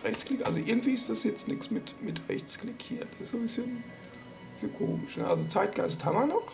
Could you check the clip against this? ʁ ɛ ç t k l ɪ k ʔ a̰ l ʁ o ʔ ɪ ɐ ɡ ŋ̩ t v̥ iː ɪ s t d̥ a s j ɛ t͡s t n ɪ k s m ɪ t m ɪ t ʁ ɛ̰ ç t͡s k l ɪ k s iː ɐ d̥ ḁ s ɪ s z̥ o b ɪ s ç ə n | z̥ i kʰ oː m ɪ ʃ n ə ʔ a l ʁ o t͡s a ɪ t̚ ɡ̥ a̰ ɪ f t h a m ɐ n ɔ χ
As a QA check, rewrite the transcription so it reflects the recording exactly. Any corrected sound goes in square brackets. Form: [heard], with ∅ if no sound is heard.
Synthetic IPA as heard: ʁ ɛ ç [t͡s] k l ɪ k ʔ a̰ l [z] o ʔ ɪ ɐ ɡ ŋ̩ t v̥ iː ɪ s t d̥ a s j ɛ t͡s t n ɪ k s m ɪ t m ɪ t ʁ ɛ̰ ç t͡s k l ɪ k [h] iː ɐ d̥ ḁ s ɪ s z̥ o b ɪ s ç ə n | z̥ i kʰ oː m ɪ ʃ n ə ʔ a l [z] o t͡s a ɪ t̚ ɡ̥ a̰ ɪ [s] t h a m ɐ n ɔ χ